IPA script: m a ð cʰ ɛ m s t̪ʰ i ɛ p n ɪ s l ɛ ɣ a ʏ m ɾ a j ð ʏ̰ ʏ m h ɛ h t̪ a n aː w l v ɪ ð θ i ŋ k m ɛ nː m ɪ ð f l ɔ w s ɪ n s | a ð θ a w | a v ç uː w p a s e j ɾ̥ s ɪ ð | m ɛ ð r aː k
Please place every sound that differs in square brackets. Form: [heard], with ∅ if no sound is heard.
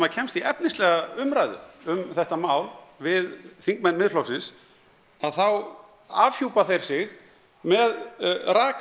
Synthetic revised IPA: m a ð cʰ ɛ m s [t̪] i ɛ p n ɪ s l ɛ ɣ a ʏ m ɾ a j ð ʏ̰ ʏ m [θ] ɛ h t̪ a [m] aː w l v ɪ ð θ i ŋ k m ɛ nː m ɪ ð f l ɔ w s ɪ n s | a ð θ a w | a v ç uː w p a [θ] e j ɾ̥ s ɪ [ɣ] | m ɛ ð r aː k